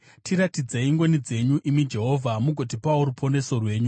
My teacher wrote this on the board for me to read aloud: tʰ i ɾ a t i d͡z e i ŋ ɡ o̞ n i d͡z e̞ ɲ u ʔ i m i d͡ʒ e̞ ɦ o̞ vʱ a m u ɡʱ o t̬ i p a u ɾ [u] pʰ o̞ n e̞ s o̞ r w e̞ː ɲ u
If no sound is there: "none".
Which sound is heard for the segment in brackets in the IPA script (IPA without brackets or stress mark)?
u